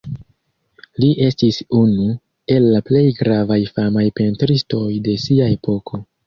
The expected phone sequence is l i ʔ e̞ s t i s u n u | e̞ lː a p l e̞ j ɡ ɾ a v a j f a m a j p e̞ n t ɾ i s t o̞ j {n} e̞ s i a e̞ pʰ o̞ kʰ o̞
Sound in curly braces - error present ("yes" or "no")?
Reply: yes